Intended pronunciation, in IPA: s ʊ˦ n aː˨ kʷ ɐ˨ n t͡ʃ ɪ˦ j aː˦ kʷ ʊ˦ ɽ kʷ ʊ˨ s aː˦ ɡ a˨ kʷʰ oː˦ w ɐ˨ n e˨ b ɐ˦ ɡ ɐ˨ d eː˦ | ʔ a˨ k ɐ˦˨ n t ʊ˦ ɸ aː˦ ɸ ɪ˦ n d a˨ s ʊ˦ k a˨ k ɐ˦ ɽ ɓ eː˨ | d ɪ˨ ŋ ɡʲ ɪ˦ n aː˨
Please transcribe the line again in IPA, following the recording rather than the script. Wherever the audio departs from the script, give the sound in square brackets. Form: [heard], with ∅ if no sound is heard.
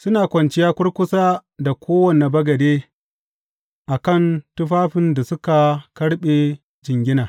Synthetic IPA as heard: s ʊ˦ n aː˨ kʷ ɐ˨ n t͡ʃ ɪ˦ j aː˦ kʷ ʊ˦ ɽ kʷ [ʊ˦] s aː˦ [d] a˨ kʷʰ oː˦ w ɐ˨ n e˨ b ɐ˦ ɡ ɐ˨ d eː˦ | ʔ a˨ k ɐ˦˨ n t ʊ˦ ɸ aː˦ ɸ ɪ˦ n d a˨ s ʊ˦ k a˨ k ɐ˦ ɽ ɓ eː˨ | [d͡ʒ] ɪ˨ ŋ ɡʲ ɪ˦ n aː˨